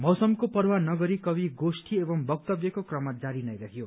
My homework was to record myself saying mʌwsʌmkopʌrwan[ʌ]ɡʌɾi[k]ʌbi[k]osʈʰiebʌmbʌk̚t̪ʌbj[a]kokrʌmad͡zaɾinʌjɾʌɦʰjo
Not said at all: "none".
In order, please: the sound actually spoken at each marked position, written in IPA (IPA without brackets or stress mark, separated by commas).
ʌ, k, ɡ, ʌ